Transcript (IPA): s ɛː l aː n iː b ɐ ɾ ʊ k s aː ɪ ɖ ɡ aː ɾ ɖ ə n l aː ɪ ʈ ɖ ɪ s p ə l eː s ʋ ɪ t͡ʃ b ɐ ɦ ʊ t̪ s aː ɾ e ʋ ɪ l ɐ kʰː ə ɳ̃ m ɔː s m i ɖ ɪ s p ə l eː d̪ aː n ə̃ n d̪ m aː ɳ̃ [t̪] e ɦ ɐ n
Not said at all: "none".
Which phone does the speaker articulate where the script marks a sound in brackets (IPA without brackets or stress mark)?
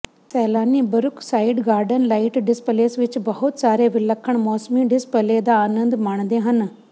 d̪